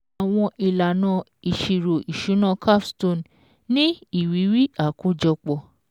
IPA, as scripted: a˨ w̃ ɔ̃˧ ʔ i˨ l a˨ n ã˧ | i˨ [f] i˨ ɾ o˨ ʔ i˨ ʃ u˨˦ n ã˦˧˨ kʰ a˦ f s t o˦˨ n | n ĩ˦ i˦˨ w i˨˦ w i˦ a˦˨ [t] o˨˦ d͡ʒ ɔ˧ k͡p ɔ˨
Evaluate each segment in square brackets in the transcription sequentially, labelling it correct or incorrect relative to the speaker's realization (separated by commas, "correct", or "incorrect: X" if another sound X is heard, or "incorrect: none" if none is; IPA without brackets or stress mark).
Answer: incorrect: ʃ, incorrect: k